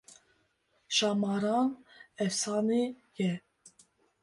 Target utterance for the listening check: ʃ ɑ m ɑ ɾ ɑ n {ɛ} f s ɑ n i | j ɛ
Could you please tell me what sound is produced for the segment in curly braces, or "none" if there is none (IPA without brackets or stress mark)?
ɛ